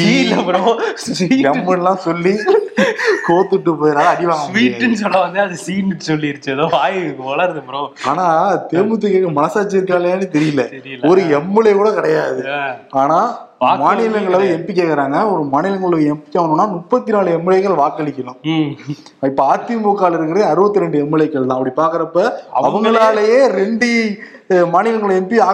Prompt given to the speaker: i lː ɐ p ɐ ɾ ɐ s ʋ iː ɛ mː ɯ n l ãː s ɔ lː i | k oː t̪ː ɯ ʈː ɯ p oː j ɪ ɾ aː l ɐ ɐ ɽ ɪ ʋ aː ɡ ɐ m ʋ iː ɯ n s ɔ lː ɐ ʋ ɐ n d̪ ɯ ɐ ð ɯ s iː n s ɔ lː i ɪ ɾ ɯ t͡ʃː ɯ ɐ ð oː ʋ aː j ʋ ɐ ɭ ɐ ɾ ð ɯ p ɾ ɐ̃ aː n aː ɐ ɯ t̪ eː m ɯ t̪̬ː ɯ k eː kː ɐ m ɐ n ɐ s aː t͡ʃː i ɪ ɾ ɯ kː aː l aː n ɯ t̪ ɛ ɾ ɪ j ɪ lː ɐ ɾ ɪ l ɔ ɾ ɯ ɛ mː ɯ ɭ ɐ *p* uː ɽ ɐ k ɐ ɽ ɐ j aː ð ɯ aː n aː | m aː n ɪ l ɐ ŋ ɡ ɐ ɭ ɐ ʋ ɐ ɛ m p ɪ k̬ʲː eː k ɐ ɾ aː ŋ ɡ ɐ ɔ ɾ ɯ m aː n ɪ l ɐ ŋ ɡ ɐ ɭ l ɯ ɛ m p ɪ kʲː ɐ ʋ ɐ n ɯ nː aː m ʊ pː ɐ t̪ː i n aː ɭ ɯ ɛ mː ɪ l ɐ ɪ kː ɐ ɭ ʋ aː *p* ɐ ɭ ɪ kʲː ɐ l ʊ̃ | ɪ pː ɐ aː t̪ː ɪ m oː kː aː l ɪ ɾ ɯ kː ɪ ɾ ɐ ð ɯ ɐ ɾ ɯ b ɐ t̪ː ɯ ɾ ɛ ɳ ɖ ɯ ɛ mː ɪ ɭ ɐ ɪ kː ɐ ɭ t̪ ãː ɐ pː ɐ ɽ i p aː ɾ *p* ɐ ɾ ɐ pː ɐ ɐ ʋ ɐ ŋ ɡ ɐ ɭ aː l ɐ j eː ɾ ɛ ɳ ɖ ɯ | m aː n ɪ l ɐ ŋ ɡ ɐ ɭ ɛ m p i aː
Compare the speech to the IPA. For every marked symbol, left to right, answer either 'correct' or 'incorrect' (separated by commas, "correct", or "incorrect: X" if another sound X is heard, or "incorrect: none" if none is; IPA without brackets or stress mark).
incorrect: k, incorrect: k, incorrect: k